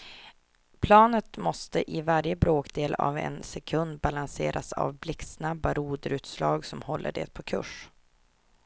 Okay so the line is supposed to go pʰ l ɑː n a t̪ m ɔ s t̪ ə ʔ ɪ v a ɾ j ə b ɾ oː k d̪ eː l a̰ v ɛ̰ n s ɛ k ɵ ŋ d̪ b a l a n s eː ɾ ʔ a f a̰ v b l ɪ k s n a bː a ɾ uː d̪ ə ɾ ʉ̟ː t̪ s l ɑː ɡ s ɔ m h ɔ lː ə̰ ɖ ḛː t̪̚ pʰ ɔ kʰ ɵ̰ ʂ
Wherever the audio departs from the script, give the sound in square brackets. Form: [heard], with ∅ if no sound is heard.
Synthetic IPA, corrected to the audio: pʰ l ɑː n [ə] t̪ m ɔ s t̪ ə ʔ ɪ v a ɾ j ə b ɾ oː k d̪ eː l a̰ v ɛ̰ n s ɛ [kʰ] ɵ [n] d̪ b a l a n s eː ɾ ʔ a [s] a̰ v b l ɪ k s n a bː a ɾ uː d̪ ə ɾ ʉ̟ː t̪ s l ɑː ɡ s ɔ m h ɔ lː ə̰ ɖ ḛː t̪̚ pʰ ɔ kʰ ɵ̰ ʂ